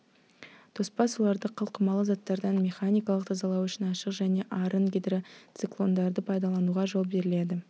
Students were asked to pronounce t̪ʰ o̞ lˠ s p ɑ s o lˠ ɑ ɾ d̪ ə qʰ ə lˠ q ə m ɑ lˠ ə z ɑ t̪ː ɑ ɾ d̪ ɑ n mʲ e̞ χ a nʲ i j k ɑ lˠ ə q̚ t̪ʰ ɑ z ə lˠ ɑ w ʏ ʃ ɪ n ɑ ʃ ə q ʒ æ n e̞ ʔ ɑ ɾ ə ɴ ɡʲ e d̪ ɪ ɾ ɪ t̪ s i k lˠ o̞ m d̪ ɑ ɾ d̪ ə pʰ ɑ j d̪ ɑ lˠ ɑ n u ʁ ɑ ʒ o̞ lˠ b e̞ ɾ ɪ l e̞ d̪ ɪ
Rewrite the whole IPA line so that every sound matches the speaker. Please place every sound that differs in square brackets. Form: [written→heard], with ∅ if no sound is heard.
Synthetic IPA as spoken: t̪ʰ o̞ [lˠ→∅] s p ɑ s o lˠ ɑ ɾ d̪ ə qʰ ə lˠ q ə m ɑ lˠ ə z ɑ t̪ː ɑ ɾ d̪ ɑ n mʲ e̞ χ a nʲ i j k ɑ lˠ ə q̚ t̪ʰ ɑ z [ə→ɑ] lˠ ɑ w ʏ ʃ ɪ n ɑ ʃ ə q ʒ æ n e̞ ʔ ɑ ɾ ə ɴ ɡʲ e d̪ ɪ ɾ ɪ t̪ s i k lˠ o̞ [m→n] d̪ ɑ ɾ d̪ ə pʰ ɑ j d̪ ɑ lˠ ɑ n u ʁ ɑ ʒ o̞ lˠ b e̞ ɾ ɪ l e̞ d̪ ɪ